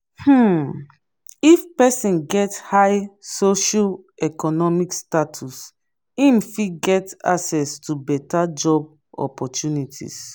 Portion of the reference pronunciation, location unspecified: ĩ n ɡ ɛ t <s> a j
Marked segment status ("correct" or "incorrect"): incorrect